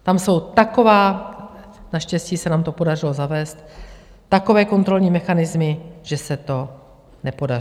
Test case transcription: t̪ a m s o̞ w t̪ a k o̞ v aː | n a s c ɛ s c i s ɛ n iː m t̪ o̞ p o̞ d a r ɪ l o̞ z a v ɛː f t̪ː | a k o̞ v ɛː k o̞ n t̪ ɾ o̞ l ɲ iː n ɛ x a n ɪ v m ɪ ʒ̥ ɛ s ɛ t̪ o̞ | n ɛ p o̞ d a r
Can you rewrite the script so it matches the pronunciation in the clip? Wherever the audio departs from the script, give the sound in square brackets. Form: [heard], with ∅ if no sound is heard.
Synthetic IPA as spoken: t̪ a m s o̞ w t̪ a k o̞ v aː | n a [ʃ] c ɛ s c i s ɛ n [aː] m t̪ o̞ p o̞ d a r ɪ l o̞ z a v ɛː [s] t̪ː | a k o̞ v ɛː k o̞ n t̪ ɾ o̞ l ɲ iː [m] ɛ x a n ɪ [z] m ɪ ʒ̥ ɛ s ɛ t̪ o̞ | n ɛ p o̞ d a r